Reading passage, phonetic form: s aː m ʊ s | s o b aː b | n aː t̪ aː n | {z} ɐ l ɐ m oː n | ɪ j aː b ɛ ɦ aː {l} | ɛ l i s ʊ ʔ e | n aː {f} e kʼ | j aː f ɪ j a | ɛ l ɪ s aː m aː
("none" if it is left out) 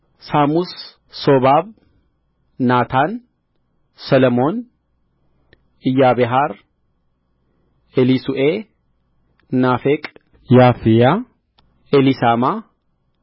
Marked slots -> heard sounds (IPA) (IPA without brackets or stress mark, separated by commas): s, ɾ, f